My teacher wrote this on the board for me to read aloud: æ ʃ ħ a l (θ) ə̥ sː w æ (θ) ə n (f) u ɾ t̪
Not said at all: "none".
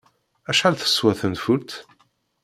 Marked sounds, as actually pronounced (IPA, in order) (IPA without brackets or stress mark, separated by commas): θ, θ, f